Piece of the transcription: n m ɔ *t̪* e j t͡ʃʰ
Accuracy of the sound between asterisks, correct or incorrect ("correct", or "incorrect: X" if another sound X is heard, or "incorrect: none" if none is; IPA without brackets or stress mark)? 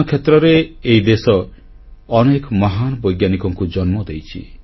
incorrect: d̪